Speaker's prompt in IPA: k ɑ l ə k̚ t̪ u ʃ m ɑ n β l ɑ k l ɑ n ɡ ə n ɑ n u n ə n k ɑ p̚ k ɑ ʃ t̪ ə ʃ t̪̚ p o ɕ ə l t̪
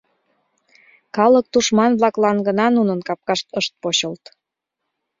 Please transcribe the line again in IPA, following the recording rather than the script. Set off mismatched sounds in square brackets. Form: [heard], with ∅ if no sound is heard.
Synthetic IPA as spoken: k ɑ l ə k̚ t̪ u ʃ m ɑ n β l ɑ k l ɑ n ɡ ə n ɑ n u n ə n k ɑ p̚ k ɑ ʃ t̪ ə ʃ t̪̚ p o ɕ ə l t̪